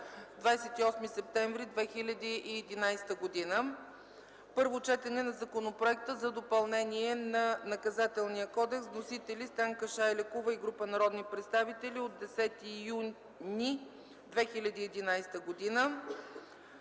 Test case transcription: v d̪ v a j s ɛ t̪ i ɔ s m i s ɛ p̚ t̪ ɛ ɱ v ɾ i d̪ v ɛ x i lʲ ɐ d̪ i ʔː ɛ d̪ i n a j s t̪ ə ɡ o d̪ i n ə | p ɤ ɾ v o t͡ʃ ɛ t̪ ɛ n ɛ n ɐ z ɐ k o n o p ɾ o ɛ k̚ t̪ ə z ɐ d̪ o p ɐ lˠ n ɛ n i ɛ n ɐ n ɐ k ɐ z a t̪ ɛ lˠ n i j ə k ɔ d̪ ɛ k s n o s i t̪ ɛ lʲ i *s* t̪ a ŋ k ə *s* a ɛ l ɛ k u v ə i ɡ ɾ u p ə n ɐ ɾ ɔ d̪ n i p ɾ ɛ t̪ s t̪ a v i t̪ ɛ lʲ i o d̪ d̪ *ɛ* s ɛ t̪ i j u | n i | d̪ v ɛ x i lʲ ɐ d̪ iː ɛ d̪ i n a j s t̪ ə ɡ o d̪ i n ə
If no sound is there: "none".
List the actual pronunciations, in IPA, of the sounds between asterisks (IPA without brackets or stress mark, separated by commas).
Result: s, ʃ, ɛ